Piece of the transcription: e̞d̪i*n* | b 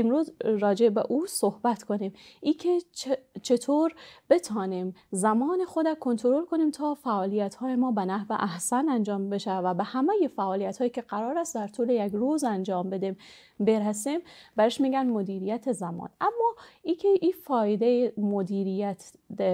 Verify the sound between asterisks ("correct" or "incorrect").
incorrect